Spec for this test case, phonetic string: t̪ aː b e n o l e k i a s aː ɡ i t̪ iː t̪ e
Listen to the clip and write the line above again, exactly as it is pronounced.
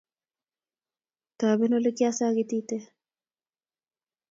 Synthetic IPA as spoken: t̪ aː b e n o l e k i a s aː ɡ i t̪ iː t̪ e